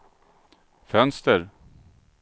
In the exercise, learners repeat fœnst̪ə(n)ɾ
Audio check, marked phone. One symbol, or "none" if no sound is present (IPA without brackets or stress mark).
none